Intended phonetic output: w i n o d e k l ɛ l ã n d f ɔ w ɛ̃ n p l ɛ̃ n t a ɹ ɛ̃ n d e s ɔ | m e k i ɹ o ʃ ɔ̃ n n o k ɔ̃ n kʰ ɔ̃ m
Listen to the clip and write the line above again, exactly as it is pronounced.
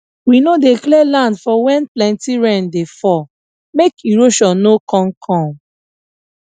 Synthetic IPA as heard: w i n o d e k l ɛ l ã n d f ɔ w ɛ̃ n p l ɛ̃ n t i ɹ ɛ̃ n d e f ɔ | m e k i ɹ o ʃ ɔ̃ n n o k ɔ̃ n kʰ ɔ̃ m